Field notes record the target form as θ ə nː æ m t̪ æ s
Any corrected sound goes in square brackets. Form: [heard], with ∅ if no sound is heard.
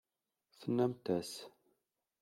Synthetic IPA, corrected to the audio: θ ə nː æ m t̪ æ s